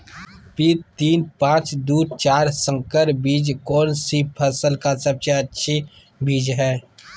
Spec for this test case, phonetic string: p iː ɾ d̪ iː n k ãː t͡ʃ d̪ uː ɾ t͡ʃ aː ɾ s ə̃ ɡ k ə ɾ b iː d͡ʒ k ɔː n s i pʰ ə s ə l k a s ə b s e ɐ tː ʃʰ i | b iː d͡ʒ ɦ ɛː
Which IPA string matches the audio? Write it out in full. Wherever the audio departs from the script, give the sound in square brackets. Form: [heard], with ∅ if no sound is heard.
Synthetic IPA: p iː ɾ [t̪] iː n [p] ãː t͡ʃ d̪ uː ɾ t͡ʃ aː ɾ s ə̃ [ŋ] k ə ɾ b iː d͡ʒ k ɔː n s i pʰ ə s ə l k a s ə b s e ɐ tː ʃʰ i | b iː d͡ʒ ɦ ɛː